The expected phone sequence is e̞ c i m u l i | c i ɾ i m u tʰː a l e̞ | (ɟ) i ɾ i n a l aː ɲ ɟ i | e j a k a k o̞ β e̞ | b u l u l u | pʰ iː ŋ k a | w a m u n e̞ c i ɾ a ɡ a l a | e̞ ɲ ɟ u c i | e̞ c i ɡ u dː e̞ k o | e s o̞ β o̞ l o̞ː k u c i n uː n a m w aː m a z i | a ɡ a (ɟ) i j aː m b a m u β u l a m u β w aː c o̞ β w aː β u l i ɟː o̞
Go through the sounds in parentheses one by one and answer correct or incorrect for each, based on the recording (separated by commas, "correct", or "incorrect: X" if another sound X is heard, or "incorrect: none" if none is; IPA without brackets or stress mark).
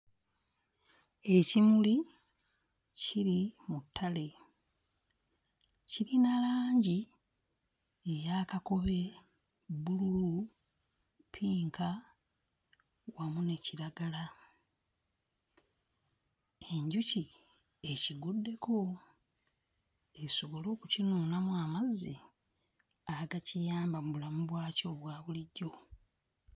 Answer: incorrect: c, incorrect: c